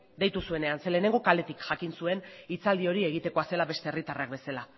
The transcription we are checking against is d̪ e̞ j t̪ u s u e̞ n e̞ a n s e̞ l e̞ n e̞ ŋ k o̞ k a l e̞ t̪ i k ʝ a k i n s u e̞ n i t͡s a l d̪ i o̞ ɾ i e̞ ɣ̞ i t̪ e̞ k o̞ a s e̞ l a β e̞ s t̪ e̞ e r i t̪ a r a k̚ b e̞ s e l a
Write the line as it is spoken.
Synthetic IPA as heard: d̪ e̞ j t̪ u s u e̞ n e̞ a n s e̞ l e̞ n e̞ ŋ ɡ o̞ k a l e̞ t̪ i k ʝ a k i n s u e̞ n i t͡s a l d̪ i o̞ ɾ i e̞ ɣ̞ i t̪ e̞ k o̞ a s e̞ l a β e̞ s t̪ e̞ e r i t̪ a r a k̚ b e̞ s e l a